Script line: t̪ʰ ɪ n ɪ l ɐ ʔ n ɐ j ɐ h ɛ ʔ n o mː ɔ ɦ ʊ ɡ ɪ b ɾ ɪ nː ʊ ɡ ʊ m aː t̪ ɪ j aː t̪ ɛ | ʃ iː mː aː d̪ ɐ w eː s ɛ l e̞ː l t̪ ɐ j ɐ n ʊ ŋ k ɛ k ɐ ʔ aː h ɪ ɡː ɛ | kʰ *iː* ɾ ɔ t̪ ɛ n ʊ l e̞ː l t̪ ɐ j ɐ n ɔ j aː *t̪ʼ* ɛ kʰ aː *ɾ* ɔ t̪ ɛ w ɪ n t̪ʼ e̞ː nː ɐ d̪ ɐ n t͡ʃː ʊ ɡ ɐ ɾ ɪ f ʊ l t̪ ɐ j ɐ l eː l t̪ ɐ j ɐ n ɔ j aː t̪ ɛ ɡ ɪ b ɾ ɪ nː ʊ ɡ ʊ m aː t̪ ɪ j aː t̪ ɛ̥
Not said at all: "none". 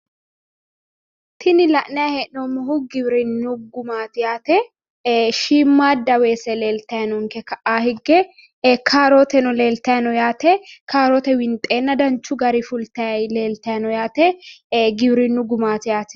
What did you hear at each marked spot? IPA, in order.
aː, t̪, ɾ

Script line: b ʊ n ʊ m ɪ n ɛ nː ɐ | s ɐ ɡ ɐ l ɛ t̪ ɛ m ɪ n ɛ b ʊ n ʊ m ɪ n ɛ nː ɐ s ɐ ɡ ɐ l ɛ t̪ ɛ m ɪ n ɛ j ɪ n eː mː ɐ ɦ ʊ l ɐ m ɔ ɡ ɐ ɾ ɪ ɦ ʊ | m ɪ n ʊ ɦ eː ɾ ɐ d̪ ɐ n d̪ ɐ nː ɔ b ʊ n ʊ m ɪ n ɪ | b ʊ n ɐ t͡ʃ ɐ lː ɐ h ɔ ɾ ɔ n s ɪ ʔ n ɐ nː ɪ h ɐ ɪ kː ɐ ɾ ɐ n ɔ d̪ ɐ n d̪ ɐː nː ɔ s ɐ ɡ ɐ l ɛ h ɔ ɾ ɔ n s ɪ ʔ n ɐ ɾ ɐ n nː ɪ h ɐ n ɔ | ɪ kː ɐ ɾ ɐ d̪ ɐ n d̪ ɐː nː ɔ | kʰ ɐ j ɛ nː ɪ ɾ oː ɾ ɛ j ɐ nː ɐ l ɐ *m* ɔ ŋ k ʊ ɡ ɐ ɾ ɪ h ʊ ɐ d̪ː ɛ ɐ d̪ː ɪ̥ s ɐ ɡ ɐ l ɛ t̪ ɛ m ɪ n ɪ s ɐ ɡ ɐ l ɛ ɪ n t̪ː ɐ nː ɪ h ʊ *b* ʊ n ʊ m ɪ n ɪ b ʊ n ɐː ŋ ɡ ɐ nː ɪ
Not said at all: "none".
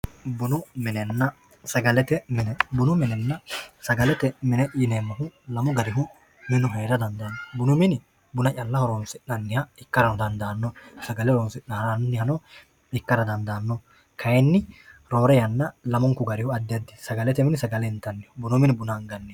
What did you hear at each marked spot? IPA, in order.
m, b

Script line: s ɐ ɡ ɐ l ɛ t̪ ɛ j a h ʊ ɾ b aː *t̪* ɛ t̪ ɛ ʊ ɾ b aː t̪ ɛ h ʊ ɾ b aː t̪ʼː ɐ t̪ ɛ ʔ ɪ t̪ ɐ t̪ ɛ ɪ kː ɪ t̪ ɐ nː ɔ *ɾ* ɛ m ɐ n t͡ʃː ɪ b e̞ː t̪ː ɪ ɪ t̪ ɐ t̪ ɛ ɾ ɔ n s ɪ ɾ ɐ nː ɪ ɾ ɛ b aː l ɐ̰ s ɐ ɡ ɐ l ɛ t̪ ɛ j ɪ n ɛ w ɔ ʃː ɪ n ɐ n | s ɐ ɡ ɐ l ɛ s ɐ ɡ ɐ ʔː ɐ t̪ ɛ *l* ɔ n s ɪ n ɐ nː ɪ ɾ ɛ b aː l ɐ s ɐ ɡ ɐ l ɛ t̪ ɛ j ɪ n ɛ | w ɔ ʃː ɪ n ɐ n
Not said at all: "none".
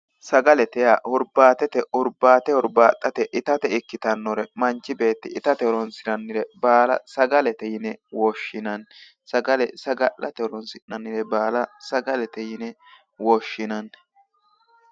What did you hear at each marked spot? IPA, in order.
t̪, ɾ, ɾ

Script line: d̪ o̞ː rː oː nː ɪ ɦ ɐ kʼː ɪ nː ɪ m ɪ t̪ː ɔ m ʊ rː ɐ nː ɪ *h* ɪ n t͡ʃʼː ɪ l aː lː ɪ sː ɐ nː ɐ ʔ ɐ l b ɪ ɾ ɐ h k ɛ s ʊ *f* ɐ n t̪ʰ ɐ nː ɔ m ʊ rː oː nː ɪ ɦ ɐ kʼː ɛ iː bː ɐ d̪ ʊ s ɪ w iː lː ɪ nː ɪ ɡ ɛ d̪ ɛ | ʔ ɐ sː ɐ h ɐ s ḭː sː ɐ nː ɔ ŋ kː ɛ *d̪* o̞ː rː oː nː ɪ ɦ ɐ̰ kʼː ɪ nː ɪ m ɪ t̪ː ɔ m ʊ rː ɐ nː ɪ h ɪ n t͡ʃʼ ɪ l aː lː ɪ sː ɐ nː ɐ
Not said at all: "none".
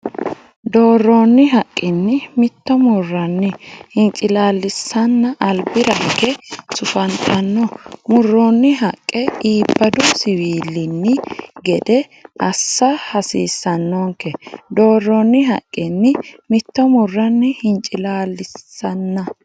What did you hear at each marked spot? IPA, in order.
h, f, d̪

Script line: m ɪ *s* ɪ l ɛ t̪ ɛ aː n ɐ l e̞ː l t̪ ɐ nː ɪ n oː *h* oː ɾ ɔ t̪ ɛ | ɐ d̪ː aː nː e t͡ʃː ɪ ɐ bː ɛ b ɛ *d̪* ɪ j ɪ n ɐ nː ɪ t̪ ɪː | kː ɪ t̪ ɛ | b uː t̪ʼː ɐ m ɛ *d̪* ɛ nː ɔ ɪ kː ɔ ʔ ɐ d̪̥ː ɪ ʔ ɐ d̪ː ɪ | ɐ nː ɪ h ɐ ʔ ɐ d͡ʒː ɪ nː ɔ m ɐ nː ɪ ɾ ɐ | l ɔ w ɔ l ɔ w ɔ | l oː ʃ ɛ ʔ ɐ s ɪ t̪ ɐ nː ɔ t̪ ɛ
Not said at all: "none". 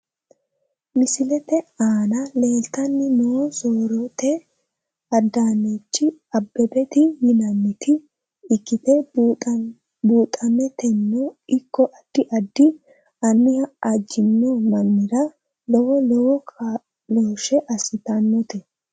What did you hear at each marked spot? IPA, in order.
s, s, t̪, t̪

